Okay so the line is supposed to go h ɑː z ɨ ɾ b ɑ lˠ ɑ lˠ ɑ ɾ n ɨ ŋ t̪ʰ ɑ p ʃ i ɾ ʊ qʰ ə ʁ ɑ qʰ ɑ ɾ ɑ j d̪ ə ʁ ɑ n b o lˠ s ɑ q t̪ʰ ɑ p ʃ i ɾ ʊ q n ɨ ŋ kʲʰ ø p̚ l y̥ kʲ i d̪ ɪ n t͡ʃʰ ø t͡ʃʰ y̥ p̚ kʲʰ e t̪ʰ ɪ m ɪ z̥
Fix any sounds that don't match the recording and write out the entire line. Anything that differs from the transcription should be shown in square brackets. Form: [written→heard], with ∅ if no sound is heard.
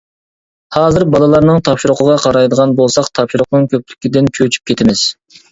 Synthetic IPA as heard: h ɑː z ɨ ɾ b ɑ lˠ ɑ lˠ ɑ ɾ n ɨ ŋ t̪ʰ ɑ p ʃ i ɾ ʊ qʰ ə ʁ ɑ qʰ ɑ ɾ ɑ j d̪ ə ʁ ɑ n b o lˠ s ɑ q t̪ʰ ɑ p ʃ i ɾ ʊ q n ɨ ŋ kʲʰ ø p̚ l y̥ kʲ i d̪ ɪ n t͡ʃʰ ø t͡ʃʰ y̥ p̚ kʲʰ e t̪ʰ ɪ m ɪ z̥